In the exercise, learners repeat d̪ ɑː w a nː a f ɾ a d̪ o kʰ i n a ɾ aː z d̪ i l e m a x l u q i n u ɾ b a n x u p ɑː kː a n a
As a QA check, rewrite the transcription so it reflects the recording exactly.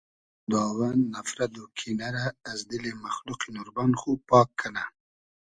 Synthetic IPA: d̪ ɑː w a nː a f ɾ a d̪ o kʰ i n a ɾ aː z d̪ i l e m a x l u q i n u ɾ b a n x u p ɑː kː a n a